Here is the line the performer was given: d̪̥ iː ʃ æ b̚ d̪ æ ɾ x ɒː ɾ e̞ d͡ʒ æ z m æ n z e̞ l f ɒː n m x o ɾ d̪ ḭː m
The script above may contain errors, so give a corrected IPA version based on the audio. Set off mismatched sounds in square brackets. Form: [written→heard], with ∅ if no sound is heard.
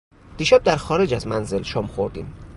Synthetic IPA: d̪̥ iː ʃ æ b̚ d̪ æ ɾ x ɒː ɾ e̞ d͡ʒ æ z m æ n z e̞ l [f→ʃ] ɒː [n→∅] m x o ɾ d̪ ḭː m